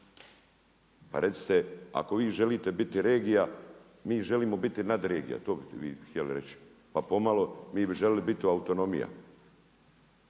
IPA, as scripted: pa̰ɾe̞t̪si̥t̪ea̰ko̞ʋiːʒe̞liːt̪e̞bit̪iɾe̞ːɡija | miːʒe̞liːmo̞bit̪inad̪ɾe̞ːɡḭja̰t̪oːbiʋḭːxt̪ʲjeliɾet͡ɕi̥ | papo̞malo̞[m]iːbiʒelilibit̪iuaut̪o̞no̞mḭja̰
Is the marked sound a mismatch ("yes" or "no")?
no